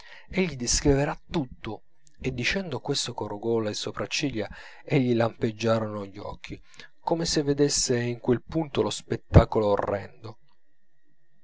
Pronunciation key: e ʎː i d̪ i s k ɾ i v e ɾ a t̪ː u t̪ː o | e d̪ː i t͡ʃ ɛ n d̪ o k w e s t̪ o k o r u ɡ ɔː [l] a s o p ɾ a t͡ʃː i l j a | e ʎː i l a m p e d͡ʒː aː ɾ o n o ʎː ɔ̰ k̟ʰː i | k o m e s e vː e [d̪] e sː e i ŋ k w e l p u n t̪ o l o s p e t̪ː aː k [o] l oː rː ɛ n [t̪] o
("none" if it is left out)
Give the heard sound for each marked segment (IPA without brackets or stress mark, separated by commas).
l, d̪, o, d̪